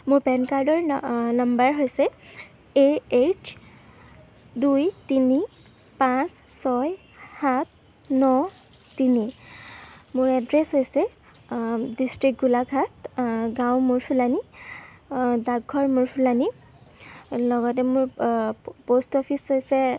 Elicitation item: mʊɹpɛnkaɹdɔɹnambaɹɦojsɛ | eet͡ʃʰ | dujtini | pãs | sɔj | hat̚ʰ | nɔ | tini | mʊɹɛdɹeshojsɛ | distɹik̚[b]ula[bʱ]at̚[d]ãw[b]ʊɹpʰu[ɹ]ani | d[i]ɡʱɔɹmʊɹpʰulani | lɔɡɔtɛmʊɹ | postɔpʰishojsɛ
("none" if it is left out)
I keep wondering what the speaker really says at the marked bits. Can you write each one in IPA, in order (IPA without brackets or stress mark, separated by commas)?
ɡ, ɡʱ, ɡ, m, l, a